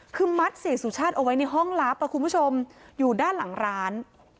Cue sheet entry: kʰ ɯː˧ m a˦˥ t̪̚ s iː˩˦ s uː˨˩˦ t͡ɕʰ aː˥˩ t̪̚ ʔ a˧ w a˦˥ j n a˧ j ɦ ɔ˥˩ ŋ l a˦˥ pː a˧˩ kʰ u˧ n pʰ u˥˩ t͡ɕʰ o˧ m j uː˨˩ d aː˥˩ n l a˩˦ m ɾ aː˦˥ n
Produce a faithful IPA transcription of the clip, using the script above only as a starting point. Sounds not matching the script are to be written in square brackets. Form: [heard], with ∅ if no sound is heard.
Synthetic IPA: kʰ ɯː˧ m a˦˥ t̪̚ s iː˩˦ s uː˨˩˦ t͡ɕʰ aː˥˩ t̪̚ ʔ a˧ w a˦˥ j n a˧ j ɦ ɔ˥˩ ŋ l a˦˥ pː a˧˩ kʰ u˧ n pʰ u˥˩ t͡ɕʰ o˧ m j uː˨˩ d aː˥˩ n l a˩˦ [ŋ] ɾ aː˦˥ n